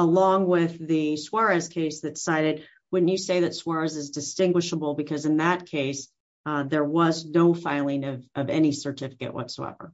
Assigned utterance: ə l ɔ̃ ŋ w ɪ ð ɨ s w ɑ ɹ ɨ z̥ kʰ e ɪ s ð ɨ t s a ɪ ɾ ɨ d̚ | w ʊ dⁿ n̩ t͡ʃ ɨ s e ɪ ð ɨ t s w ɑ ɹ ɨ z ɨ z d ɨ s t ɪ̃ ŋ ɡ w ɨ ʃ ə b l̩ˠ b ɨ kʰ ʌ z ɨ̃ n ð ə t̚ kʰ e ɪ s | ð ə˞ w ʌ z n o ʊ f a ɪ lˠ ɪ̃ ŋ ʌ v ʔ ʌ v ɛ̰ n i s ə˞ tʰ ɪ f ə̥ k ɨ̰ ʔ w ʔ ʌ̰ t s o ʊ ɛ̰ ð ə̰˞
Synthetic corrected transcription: ə l ɔ̃ ŋ w ɪ ð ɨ s w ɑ ɹ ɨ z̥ kʰ e ɪ s ð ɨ t s a ɪ ɾ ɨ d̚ | w ʊ dⁿ n̩ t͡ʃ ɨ s e ɪ ð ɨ t s w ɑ ɹ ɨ z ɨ z d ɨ s t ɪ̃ ŋ ɡ w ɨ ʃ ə b l̩ˠ b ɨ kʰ ʌ z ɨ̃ n ð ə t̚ kʰ e ɪ s | ð ə˞ w ʌ z n o ʊ f a ɪ lˠ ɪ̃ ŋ ʌ v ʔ ʌ v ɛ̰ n i s ə˞ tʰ ɪ f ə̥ k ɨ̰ ʔ w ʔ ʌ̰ t s o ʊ ɛ̰ v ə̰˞